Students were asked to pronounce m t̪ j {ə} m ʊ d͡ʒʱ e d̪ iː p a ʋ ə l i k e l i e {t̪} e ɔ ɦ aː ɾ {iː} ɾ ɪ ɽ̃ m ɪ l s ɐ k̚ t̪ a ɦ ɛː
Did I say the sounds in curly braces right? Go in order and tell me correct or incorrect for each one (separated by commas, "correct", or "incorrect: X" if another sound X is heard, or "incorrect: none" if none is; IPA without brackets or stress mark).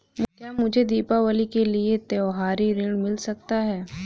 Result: incorrect: a, correct, incorrect: i